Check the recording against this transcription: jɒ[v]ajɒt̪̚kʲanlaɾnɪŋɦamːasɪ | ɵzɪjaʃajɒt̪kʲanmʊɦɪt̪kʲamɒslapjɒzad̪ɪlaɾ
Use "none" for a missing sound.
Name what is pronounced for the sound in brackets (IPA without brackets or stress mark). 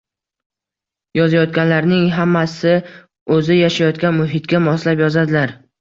z